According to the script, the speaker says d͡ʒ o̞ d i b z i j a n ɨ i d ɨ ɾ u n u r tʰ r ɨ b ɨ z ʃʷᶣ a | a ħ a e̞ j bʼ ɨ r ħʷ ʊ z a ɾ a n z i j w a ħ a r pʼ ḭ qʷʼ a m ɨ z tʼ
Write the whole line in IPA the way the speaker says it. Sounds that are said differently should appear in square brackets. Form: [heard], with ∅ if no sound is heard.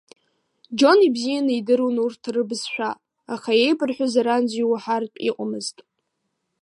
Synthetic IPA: d͡ʒ o̞ [n] i b z i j a n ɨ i d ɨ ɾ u n u r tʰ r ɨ b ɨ z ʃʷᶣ a | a [χ] a e̞ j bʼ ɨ r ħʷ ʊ z a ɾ a n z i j w a ħ a r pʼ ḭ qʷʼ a m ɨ z tʼ